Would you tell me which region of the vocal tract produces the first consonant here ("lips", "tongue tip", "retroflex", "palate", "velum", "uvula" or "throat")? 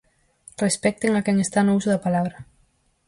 tongue tip